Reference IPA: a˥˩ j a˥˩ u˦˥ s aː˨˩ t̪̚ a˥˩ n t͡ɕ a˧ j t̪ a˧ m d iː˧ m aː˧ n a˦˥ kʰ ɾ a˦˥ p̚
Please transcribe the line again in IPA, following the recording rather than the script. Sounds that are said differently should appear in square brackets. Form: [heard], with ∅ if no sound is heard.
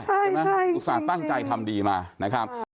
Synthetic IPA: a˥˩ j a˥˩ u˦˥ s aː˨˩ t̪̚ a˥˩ [ŋ] t͡ɕ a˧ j [t̪ʰ] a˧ m d iː˧ m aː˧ n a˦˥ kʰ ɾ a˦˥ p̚